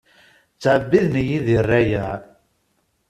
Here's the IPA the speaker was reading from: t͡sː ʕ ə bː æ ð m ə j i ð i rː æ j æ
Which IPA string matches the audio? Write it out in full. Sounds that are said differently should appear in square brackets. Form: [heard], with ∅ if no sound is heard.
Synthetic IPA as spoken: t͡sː ʕ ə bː [i] ð [n] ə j i ð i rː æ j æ